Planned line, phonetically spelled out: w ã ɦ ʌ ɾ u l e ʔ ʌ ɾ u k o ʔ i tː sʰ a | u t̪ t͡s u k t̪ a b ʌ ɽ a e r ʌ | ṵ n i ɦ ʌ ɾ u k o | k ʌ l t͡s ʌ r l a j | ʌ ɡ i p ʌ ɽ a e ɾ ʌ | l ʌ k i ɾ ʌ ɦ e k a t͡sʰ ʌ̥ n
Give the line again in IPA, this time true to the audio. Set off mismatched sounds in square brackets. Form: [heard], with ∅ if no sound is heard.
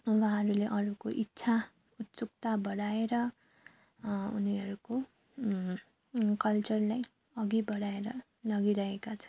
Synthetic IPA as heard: w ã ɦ ʌ ɾ u l e ʔ ʌ ɾ u k o ʔ i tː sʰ a | u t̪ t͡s u k t̪ a b ʌ ɽ a e [ɾ] ʌ | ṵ n i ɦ ʌ ɾ u k o | k ʌ l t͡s ʌ r l a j | ʌ ɡ i [b] ʌ ɽ a e ɾ ʌ | l ʌ [ɡ] i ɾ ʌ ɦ e k a t͡sʰ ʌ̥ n

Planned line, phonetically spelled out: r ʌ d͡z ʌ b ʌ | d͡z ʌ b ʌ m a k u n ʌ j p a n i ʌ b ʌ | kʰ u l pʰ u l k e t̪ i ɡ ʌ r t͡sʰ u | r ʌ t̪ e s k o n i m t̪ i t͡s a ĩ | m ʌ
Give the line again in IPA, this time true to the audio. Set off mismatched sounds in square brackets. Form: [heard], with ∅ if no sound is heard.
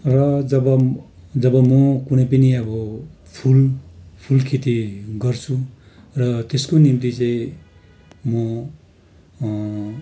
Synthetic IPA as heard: r ʌ d͡z ʌ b ʌ | d͡z ʌ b ʌ m [ʌ] k u n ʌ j p [ʌ] n i ʌ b ʌ | [pʰ] u l pʰ u l [kʰ] e t̪ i ɡ ʌ r t͡sʰ u | r ʌ t̪ e s k o n i m t̪ i t͡s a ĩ | m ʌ

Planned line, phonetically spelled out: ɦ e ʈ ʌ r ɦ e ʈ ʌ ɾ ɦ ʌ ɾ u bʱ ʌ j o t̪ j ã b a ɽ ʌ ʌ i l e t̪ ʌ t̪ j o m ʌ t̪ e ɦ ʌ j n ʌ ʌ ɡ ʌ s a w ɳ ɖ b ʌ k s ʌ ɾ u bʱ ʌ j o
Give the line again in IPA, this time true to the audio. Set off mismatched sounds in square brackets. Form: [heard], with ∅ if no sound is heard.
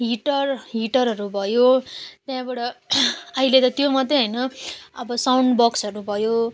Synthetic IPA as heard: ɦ [i] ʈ ʌ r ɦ [i] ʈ ʌ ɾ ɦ ʌ ɾ u bʱ ʌ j o t̪ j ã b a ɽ ʌ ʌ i l e t̪ ʌ t̪ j o m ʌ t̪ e ɦ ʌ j n ʌ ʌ [b] ʌ s a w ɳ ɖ b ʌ k s ʌ ɾ u bʱ ʌ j o

